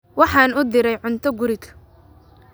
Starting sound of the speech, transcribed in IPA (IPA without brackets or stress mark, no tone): w